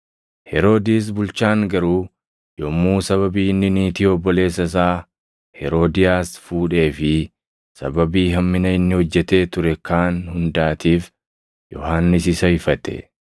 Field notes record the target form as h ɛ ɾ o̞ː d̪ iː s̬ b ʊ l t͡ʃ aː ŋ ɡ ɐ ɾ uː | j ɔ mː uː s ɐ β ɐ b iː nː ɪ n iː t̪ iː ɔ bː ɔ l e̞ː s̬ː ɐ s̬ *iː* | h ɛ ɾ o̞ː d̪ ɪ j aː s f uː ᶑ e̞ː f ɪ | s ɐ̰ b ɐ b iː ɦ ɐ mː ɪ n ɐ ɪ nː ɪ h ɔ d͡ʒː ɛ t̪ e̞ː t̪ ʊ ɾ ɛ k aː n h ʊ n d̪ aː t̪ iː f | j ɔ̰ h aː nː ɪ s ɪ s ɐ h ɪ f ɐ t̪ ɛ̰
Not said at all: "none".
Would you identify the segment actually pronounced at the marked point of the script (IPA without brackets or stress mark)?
aː